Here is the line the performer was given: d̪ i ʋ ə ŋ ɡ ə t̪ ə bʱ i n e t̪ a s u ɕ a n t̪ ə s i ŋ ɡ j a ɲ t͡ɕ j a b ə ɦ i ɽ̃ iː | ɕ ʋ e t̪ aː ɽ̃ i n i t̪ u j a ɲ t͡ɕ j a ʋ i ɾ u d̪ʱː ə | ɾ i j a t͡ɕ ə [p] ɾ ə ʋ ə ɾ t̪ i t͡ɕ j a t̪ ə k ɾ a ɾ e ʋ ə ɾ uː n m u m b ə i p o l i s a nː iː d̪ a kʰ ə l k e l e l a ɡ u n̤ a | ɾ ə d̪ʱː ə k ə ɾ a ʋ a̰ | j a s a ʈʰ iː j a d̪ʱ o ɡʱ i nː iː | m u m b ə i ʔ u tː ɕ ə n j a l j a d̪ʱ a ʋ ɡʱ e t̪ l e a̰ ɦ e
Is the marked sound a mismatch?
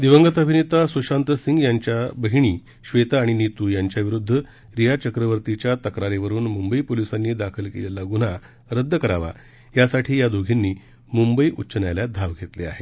yes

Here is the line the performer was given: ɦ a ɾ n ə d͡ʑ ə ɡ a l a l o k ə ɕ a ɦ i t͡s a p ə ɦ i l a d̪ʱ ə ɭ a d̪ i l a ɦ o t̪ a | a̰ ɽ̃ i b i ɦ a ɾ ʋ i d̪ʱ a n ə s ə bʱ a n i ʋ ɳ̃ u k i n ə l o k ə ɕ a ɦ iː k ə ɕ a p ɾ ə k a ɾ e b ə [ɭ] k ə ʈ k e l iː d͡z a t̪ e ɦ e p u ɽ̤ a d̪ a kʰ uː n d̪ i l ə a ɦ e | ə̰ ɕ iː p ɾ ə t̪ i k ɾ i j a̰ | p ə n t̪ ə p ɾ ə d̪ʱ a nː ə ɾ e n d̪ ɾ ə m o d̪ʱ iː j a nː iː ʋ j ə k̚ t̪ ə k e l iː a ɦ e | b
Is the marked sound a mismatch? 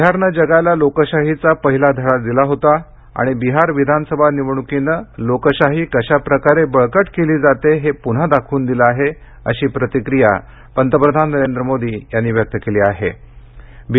no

